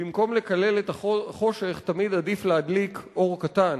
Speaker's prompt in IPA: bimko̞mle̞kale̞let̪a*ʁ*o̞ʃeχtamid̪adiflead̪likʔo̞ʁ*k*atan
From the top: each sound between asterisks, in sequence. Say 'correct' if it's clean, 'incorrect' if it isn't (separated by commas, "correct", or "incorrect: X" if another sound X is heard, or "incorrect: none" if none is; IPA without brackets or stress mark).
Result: incorrect: χ, correct